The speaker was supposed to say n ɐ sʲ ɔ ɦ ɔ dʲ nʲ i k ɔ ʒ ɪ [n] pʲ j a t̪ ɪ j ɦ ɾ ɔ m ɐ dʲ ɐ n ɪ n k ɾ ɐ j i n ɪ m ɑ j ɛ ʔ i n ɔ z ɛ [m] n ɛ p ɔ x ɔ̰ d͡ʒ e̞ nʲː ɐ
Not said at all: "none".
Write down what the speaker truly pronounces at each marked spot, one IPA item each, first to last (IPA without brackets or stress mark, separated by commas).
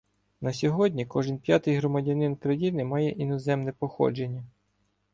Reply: n, m